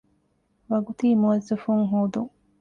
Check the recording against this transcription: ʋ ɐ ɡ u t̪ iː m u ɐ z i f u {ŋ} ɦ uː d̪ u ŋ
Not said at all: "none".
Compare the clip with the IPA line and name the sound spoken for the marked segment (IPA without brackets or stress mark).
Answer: ŋ